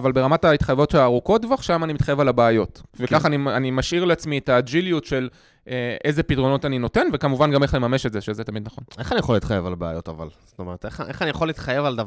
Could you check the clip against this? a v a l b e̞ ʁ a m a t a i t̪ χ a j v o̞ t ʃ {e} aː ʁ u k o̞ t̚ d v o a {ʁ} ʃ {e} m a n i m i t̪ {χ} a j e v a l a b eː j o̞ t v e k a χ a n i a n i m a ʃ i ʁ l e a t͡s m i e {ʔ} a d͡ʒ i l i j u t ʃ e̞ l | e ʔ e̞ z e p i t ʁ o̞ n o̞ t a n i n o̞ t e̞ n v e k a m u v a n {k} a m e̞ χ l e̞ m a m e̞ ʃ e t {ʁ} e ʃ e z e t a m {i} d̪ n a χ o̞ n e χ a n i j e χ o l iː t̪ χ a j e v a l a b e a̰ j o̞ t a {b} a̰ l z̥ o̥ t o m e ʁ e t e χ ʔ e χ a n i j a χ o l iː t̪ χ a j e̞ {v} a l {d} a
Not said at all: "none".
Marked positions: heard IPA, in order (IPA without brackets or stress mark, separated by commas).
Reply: e, χ, a, χ, t, ɡ, z, i, v, v, d